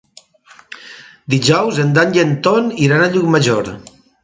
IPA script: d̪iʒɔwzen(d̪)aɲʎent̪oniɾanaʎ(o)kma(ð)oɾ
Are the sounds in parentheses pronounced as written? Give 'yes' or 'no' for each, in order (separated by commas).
yes, no, no